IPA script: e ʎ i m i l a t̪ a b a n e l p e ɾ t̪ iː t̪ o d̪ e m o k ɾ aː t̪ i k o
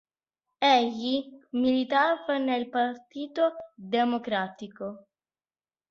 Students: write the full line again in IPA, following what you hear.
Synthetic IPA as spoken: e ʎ i m i l i t̪ a v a n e l p a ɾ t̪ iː t̪ o d̪ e m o k ɾ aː t̪ i k o